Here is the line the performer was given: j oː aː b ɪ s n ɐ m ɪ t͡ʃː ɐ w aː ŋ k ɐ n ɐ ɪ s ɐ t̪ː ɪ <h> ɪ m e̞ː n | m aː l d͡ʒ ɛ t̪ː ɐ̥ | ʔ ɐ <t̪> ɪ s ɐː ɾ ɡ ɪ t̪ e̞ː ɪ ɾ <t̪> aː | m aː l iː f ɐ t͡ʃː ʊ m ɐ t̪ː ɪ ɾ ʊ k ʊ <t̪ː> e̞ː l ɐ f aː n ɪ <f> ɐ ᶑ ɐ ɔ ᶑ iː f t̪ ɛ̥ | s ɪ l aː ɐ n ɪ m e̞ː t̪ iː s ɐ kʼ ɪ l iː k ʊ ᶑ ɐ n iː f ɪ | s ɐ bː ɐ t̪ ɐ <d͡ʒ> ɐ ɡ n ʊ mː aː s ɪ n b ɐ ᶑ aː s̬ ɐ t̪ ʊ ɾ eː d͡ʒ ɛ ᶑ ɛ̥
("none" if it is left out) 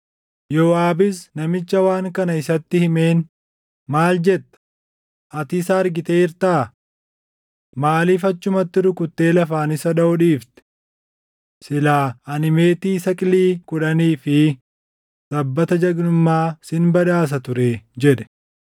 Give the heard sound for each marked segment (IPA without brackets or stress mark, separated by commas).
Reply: h, t̪, t̪, t̪ː, s, d͡ʒ